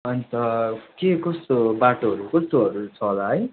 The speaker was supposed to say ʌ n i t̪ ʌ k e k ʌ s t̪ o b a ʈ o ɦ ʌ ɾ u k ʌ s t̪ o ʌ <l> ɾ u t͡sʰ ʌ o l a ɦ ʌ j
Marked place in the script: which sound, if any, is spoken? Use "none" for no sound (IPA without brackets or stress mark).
none